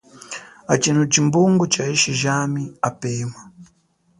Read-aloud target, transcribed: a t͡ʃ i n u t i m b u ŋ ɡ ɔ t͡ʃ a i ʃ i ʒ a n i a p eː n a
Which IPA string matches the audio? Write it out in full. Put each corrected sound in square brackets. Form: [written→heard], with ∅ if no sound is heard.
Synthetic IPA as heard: a t͡ʃ i n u [t→t͡ʃ] i m b u ŋ ɡ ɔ t͡ʃ a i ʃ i ʒ a [n→m] i a p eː [n→m] a

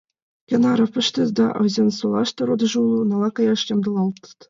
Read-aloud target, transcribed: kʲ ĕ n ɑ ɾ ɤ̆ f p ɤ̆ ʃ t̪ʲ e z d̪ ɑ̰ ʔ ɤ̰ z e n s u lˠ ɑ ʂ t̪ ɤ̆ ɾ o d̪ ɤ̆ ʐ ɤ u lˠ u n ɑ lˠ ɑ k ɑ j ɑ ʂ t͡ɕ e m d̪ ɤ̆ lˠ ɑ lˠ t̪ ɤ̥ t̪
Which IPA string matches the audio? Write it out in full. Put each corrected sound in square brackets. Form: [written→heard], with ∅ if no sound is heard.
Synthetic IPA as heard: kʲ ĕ n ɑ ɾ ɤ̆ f p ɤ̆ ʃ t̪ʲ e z d̪ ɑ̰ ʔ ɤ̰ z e n s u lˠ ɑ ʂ t̪ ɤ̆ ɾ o d̪ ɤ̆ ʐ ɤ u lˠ u n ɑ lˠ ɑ k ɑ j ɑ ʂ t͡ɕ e m d̪ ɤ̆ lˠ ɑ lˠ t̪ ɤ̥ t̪

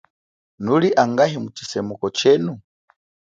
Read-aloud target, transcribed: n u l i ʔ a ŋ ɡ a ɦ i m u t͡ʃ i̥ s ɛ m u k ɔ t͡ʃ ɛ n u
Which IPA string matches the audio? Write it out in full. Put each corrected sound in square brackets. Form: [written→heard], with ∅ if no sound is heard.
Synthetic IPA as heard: n u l i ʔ a ŋ ɡ a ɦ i m u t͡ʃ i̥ s ɛ m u k ɔ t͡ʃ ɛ n u

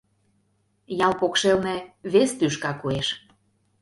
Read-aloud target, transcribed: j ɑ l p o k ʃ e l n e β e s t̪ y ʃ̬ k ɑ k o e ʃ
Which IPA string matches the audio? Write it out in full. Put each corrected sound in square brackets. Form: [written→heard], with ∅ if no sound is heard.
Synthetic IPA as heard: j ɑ l p o k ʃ e l n e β e s t̪ y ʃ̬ k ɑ k [o→u] e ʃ

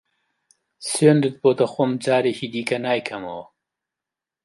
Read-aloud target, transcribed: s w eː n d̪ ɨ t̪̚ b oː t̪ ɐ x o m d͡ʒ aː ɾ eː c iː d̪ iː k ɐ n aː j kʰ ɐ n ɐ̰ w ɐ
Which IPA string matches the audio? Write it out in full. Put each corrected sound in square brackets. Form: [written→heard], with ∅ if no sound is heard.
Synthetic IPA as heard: s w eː n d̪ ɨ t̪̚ b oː t̪ ɐ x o m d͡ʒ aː ɾ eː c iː d̪ iː k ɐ n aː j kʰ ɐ [n→m] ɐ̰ w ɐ

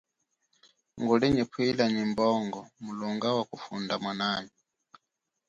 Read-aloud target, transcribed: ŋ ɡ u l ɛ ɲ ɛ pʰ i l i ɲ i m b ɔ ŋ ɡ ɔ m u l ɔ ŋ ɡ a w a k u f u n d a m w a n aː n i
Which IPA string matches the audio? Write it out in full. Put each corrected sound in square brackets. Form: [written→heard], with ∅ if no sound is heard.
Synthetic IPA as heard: ŋ ɡ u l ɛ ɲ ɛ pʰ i l [i→a] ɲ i m b ɔ ŋ ɡ ɔ m u l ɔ ŋ ɡ a w a k u f u n d a m w a n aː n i

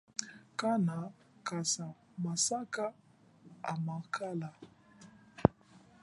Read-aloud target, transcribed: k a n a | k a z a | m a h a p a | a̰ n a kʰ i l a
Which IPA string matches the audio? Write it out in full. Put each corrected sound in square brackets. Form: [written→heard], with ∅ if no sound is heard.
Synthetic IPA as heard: k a n a | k a [z→s] a | m a [h→s] a [p→k] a | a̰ [n→m] a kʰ [i→a] l a

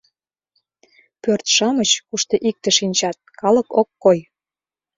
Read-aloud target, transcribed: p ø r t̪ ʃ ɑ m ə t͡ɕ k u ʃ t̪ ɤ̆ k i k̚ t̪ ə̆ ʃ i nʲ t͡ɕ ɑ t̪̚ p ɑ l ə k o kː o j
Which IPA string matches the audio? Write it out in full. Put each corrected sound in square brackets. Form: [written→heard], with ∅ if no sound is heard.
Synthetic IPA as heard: p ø r t̪ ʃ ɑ m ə t͡ɕ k u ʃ t̪ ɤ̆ [k→ʔ] i k̚ t̪ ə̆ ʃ i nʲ t͡ɕ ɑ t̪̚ [p→k] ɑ l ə k o kː o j

